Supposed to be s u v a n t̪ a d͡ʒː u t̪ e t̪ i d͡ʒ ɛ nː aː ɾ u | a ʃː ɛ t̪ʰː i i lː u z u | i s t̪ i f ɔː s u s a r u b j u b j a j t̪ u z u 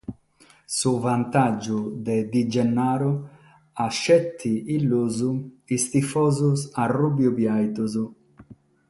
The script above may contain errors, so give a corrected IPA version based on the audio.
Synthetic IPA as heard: s u v a n t̪ a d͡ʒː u d̪ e d̪ i d͡ʒ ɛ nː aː ɾ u | a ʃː ɛ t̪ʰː i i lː u z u | i s t̪ i f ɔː z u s a r u b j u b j a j t̪ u z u